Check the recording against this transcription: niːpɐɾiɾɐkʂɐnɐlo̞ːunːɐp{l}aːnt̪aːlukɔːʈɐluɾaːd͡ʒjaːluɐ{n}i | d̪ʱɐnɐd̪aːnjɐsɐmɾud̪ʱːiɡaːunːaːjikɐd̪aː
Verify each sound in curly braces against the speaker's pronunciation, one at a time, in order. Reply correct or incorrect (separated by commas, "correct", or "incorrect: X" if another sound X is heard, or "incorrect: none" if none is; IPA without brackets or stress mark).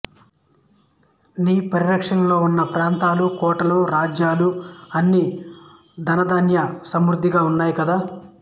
incorrect: ɾ, incorrect: nː